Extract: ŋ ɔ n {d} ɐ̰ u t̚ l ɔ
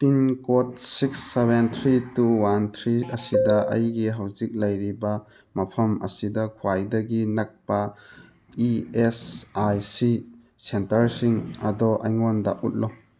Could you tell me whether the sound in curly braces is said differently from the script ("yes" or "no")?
no